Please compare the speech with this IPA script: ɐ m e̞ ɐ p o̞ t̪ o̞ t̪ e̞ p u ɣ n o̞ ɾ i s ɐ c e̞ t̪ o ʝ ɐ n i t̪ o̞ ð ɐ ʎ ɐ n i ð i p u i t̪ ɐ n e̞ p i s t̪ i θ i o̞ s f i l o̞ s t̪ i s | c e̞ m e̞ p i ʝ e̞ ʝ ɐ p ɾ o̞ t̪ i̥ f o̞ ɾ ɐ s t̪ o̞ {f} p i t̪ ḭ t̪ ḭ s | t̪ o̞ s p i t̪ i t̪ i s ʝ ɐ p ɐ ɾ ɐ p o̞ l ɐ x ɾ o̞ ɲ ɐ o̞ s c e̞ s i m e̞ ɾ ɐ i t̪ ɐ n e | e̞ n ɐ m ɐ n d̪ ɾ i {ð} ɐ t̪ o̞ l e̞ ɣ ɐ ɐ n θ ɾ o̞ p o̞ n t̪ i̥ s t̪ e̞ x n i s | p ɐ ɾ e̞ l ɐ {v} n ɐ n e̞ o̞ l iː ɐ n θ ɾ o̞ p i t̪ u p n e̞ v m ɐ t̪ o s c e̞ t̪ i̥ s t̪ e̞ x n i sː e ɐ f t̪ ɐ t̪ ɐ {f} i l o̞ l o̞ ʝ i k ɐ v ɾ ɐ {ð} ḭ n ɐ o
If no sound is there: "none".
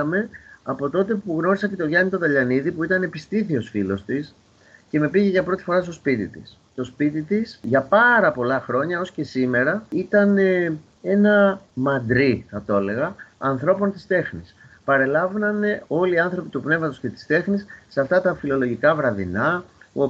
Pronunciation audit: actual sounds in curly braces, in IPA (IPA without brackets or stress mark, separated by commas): s, θ, v, f, ð